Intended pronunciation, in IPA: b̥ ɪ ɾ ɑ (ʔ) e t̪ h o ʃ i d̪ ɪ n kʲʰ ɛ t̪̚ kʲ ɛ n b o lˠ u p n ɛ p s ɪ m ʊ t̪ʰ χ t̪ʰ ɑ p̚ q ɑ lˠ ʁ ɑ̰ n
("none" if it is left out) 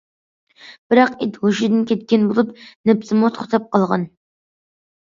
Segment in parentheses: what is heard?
q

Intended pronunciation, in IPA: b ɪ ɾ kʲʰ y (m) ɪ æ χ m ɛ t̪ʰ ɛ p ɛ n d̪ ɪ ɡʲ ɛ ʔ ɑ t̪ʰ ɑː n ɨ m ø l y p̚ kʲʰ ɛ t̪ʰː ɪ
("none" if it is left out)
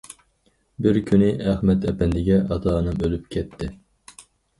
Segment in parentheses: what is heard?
n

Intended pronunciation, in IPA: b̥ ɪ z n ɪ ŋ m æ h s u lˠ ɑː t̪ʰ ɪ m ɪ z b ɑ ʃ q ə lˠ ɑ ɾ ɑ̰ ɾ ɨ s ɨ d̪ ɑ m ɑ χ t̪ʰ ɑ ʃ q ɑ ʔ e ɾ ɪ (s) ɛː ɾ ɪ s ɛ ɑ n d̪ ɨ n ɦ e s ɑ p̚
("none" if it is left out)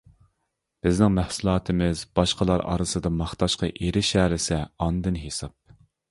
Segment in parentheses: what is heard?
ʃ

